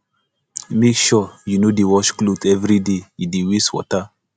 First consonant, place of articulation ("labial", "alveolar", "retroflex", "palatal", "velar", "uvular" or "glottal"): labial